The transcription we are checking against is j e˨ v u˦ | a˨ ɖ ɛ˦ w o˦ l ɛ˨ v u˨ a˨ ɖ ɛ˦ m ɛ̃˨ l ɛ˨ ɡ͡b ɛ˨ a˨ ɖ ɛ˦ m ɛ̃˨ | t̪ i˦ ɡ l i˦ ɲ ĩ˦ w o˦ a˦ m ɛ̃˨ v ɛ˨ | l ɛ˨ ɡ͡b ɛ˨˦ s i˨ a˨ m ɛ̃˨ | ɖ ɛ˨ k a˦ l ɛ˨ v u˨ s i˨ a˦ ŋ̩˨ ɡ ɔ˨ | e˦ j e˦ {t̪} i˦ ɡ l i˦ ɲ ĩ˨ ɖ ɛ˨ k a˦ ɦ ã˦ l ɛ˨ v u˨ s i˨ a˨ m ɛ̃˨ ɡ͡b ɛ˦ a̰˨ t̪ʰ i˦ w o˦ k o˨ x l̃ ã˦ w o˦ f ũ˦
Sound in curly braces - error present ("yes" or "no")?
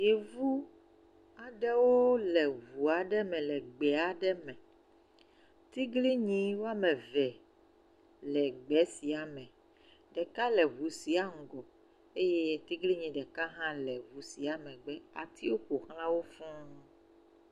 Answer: no